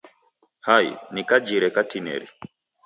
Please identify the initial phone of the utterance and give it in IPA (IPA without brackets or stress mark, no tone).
h